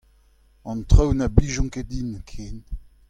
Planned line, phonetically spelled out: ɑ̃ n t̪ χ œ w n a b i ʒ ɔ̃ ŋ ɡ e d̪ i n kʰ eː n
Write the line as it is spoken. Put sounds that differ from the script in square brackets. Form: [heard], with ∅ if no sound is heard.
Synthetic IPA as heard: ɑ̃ n t̪ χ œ w n a b i ʒ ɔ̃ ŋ [k] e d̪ i n kʰ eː n